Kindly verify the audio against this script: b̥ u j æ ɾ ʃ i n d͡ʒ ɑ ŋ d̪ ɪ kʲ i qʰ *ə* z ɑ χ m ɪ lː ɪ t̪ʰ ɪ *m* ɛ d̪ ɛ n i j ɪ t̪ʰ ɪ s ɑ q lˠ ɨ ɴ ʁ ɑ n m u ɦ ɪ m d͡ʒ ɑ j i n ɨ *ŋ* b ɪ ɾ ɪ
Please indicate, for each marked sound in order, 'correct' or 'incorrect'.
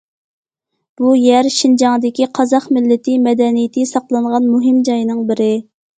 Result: incorrect, correct, correct

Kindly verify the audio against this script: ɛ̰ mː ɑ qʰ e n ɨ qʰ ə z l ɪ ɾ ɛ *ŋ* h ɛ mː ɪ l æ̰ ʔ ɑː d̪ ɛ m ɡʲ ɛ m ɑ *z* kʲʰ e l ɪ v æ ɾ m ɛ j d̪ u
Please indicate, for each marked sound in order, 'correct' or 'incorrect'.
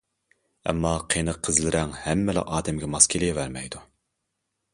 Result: correct, incorrect

